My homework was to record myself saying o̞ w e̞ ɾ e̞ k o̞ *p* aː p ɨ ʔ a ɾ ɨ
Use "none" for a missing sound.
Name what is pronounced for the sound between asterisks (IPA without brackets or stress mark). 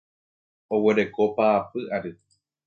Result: p